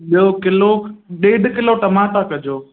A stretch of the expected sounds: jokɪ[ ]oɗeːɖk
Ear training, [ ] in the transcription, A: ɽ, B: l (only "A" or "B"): B